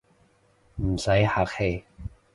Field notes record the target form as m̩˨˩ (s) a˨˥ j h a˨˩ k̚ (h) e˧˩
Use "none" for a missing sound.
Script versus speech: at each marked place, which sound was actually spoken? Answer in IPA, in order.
s, h

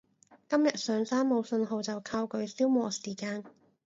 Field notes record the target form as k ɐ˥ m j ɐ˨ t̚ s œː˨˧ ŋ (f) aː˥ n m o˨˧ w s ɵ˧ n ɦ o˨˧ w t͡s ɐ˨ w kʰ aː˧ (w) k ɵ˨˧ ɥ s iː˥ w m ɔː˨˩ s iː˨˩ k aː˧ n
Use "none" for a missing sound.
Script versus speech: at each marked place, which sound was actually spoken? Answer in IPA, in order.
s, w

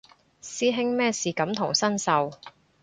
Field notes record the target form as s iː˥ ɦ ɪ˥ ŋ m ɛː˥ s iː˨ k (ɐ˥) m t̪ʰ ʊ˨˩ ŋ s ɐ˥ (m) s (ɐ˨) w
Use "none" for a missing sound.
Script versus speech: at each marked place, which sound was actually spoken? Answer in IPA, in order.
ɐ˨˥, n, ɐ˨

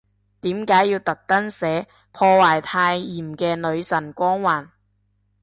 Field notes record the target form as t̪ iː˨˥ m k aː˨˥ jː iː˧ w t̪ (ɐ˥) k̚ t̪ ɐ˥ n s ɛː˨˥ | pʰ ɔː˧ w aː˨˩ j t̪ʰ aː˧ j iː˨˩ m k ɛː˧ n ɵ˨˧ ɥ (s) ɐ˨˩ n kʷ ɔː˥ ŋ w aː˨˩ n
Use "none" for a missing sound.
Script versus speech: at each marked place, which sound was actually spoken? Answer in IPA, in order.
ɐ˨, s

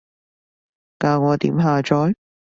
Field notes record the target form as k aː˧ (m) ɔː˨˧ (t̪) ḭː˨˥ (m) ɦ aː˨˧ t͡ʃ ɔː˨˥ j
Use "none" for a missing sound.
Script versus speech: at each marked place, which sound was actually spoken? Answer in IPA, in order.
ŋ, t̪, m

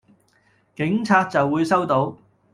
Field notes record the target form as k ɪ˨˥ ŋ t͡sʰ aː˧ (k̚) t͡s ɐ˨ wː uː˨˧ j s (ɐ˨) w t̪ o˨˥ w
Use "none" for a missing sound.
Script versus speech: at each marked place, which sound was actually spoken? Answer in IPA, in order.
t̚, ɐ˥

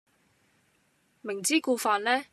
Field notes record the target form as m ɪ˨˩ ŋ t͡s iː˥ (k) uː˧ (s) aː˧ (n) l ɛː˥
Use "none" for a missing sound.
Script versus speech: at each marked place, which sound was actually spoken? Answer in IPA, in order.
k, f, n

